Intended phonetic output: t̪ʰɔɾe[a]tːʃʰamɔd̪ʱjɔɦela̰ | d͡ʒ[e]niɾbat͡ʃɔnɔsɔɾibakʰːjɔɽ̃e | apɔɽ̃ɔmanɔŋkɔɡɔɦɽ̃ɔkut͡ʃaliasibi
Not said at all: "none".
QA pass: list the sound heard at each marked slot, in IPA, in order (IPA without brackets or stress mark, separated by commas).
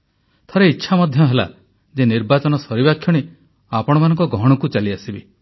i, e